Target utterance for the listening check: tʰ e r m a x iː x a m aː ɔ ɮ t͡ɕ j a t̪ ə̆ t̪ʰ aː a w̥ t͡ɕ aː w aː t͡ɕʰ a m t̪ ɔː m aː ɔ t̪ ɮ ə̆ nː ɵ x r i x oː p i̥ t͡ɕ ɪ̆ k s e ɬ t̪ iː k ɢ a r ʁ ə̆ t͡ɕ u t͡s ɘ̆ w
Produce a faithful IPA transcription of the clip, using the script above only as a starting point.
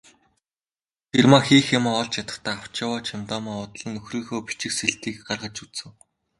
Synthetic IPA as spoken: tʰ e r m a x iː x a m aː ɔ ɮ t͡ɕ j a t̪ ə̆ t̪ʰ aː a w̥ t͡ɕ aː w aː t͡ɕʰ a m t̪ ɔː m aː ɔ t̪ ɮ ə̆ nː ɵ x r iː x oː p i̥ t͡ɕ ɪ̆ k s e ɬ t̪ iː k ɢ a r ʁ ə̆ t͡ɕ u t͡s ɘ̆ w